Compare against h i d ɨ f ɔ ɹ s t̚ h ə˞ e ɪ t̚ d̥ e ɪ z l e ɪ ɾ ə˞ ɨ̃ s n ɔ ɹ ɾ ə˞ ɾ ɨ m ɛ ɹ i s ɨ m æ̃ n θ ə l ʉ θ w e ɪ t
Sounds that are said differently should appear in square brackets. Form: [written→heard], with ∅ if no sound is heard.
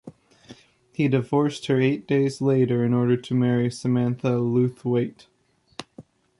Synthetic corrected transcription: h i d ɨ [f→v] ɔ ɹ s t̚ h ə˞ e ɪ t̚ d̥ e ɪ z l e ɪ ɾ ə˞ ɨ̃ [s→∅] n ɔ ɹ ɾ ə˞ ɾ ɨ m ɛ ɹ i s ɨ m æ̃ n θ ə l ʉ θ w e ɪ t